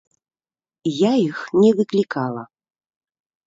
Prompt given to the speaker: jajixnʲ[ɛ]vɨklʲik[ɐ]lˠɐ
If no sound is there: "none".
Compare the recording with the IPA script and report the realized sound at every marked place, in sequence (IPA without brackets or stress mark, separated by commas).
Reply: ɛ, a